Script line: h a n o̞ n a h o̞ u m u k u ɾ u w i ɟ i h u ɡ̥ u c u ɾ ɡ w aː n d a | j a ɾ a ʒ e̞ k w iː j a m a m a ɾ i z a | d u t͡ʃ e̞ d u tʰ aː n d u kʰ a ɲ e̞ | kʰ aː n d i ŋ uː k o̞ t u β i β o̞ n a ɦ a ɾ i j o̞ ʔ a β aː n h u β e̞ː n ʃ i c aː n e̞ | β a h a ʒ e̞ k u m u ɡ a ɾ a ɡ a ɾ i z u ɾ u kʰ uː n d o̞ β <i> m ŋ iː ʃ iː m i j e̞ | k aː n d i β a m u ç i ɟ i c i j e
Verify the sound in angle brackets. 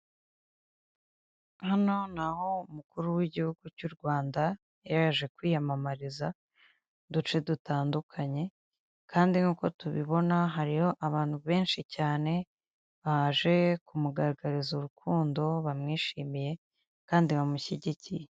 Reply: incorrect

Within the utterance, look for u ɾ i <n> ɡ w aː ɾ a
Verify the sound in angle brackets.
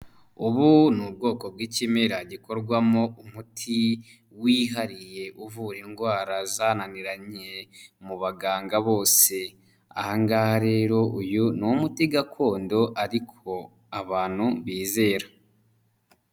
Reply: incorrect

